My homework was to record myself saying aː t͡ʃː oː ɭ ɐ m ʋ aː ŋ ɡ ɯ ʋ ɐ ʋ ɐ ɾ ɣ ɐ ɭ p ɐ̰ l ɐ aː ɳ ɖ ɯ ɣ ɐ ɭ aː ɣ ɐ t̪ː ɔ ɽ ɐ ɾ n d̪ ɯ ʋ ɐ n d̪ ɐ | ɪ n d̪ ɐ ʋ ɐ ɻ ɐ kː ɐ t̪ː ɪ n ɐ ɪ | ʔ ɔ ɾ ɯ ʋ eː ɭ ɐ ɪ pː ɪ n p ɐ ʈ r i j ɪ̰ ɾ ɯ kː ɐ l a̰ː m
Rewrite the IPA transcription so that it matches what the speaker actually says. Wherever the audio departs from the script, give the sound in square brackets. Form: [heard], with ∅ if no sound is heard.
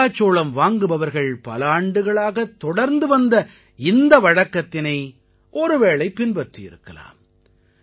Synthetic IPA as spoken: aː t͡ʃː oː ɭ ɐ m ʋ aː ŋ ɡ ɯ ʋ ɐ ʋ ɐ ɾ ɣ ɐ ɭ p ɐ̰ l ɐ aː ɳ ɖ ɯ ɣ ɐ ɭ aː ɣ ɐ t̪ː ɔ ɽ ɐ ɾ n d̪ ɯ ʋ ɐ n d̪ ɐ | ɪ n d̪ ɐ ʋ ɐ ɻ ɐ kː ɐ t̪ː ɪ n ɐ ɪ | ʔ ɔ ɾ ɯ ʋ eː ɭ ɐ ɪ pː ɪ n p ɐ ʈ r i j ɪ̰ ɾ ɯ kː ɐ l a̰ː m